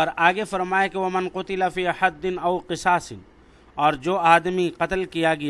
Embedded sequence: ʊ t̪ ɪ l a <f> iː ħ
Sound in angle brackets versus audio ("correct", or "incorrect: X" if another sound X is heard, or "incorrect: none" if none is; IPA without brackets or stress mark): correct